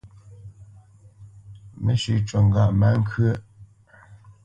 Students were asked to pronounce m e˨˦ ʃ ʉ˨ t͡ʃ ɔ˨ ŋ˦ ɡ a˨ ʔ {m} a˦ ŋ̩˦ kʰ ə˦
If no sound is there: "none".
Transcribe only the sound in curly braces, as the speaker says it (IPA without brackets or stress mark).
m